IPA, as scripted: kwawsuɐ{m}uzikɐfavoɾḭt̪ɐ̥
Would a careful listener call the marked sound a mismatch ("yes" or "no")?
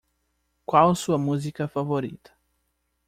no